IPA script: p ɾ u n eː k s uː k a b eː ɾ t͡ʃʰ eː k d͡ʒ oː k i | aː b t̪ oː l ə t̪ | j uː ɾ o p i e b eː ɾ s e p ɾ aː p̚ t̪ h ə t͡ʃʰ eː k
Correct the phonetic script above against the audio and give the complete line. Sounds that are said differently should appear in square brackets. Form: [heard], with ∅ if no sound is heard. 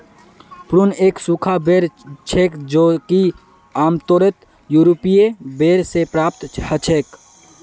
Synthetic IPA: p ɾ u n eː k s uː [kʰ] a b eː ɾ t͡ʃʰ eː k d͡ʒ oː k i | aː [m] t̪ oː [ɾ] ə t̪ | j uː ɾ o p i e b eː ɾ s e p ɾ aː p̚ t̪ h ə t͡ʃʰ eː k